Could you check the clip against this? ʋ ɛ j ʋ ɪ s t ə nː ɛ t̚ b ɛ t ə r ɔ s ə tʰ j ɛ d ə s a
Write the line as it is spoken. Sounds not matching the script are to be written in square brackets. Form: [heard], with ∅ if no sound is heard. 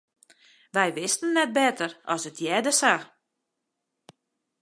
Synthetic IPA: ʋ ɛ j ʋ ɪ s t ə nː ɛ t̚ b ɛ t ə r ɔ s ə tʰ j ɛ d ə s a